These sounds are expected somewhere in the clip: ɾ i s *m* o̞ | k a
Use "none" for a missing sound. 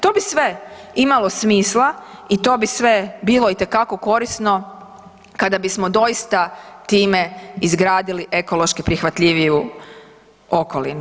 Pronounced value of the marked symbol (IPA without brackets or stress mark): n